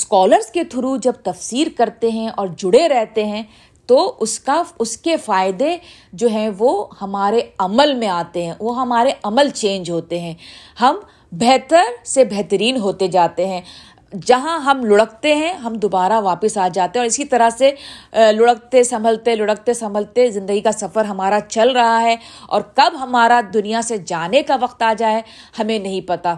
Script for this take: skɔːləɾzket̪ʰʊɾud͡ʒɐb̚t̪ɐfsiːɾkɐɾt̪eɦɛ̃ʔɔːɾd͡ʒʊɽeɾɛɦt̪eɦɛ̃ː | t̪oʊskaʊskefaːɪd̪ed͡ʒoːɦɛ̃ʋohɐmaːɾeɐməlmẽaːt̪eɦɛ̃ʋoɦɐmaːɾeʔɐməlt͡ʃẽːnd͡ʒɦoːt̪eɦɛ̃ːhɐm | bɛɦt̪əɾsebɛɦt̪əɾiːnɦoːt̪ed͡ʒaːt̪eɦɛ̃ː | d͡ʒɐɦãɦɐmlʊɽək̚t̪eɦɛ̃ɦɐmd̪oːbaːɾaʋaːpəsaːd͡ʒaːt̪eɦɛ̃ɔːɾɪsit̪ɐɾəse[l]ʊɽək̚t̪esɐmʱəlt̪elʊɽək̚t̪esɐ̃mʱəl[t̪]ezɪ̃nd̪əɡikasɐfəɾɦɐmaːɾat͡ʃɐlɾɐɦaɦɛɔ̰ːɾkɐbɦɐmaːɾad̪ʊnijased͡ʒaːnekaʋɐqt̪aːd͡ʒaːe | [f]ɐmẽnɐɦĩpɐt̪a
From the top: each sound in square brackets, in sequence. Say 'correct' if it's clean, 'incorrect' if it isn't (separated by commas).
correct, correct, incorrect